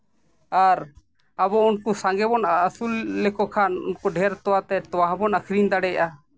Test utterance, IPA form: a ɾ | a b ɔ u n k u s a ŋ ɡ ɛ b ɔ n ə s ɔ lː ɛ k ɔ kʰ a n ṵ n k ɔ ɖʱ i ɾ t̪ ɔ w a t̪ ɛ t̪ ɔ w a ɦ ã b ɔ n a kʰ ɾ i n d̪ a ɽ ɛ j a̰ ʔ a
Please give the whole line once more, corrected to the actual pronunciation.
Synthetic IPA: a ɾ | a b ɔ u n k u s a ŋ ɡ ɛ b ɔ n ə s u lː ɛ k ɔ kʰ a n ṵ n k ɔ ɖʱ ɛ ɾ t̪ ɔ w a t̪ ɛ t̪ ɔ w a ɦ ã b ɔ n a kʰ ɾ i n d̪ a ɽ ɛ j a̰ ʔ a